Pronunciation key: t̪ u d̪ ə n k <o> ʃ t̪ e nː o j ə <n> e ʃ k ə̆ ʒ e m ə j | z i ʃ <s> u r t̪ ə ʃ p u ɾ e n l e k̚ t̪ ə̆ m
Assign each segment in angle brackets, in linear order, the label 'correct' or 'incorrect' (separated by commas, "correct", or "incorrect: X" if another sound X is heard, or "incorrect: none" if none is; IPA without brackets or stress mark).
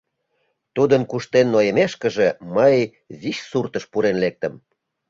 incorrect: u, incorrect: m, correct